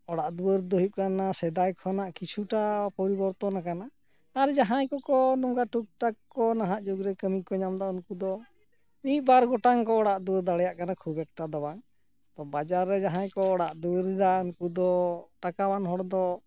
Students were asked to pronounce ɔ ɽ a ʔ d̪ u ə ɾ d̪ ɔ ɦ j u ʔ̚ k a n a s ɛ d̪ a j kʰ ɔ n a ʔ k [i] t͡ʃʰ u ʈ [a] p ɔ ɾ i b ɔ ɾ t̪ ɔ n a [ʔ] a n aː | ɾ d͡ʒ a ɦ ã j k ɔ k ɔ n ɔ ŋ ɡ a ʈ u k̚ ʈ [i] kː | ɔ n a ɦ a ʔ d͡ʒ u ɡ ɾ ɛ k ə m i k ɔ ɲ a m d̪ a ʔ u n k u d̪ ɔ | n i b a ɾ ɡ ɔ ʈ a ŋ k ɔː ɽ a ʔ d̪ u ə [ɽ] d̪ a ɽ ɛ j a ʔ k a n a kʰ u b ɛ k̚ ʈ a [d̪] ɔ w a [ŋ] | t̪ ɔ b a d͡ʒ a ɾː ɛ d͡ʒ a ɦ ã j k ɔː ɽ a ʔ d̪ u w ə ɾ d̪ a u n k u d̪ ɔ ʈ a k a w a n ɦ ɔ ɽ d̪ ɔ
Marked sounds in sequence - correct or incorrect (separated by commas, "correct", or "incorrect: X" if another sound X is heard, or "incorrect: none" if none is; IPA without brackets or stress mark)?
correct, correct, incorrect: k, incorrect: a, incorrect: ɾ, correct, correct